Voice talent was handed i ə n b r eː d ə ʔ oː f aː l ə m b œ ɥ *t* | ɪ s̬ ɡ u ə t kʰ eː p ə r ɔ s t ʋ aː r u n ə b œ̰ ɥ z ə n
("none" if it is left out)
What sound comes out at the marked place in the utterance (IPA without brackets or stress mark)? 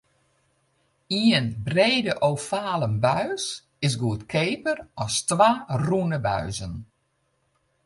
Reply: s